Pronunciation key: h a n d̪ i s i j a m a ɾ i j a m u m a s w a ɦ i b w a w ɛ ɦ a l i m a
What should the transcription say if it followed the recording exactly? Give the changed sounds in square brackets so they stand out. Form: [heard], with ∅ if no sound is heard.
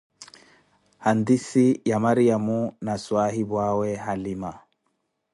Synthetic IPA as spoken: h a n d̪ i s i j a m a ɾ i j a m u [n] a s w a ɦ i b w a w ɛ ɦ a l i m a